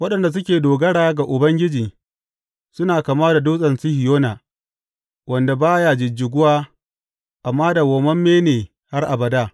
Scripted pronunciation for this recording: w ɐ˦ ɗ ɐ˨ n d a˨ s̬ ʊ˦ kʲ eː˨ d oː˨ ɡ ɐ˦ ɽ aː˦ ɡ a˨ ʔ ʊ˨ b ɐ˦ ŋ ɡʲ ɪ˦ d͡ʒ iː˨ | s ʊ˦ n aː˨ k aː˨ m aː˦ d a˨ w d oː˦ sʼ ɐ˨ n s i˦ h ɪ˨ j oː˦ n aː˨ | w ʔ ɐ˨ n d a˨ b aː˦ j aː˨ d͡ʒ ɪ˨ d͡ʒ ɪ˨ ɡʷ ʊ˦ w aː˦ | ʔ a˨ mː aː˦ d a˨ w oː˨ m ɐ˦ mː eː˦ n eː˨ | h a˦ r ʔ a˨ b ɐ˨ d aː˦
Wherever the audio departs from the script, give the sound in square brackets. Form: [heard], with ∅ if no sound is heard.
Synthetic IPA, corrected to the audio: w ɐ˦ ɗ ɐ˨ n d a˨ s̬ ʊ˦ kʲ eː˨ d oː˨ ɡ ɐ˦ ɽ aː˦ ɡ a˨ ʔ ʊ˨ b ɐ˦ ŋ ɡʲ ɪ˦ d͡ʒ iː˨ | s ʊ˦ n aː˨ k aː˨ m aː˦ d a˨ [∅] d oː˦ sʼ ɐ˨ n s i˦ h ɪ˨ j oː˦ n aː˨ | w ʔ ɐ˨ n d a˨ b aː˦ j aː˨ d͡ʒ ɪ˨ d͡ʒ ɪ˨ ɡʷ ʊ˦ w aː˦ | ʔ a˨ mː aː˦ d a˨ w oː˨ m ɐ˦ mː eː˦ n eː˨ | h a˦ r ʔ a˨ b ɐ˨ d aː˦